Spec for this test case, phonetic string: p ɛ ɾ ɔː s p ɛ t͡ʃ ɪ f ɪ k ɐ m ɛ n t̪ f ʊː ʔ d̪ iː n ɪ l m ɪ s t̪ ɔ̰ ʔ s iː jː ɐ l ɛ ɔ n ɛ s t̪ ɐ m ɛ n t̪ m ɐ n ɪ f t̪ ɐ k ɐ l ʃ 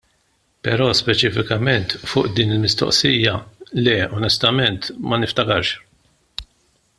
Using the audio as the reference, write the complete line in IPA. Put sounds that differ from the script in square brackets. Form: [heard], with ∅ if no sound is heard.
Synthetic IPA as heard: p ɛ ɾ ɔː s p ɛ t͡ʃ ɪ f ɪ k ɐ m ɛ n t̪ f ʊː ʔ d̪ iː n ɪ l m ɪ s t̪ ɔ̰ ʔ s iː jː ɐ l ɛ ɔ n ɛ s t̪ ɐ m ɛ n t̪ m ɐ n ɪ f t̪ ɐ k ɐ [ɾ] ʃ